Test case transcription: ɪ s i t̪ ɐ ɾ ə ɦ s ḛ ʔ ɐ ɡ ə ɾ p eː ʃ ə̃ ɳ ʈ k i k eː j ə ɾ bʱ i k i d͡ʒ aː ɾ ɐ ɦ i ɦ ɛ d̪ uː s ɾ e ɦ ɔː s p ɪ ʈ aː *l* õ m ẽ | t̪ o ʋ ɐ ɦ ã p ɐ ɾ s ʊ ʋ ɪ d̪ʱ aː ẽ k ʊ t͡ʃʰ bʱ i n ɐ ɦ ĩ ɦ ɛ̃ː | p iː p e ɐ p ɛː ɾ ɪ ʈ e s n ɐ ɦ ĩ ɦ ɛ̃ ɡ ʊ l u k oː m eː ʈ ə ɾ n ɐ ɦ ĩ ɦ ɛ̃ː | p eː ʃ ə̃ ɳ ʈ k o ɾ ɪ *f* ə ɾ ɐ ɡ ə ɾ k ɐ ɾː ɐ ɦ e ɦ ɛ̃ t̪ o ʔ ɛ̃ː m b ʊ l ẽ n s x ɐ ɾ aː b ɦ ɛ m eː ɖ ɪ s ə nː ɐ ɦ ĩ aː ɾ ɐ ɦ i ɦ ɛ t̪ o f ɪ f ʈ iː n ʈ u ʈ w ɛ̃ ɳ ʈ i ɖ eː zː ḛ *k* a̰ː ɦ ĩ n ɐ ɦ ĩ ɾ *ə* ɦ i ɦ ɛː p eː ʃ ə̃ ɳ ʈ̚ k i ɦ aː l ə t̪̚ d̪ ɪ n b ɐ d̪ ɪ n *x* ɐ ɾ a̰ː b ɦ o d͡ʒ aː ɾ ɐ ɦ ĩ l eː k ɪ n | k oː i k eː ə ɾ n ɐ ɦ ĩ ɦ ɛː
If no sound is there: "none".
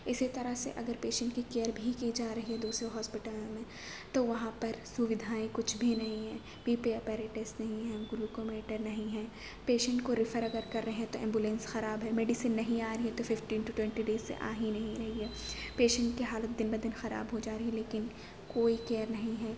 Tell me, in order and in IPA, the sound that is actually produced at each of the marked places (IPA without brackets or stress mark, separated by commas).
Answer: l, f, ʔ, ɐ, x